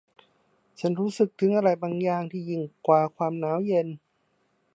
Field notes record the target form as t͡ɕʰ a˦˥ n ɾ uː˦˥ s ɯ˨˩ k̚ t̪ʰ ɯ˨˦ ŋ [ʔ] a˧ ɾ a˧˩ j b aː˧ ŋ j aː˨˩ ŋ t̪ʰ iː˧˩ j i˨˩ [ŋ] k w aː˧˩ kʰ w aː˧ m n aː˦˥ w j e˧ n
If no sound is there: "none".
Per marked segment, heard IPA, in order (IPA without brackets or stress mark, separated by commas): ʔ, ŋ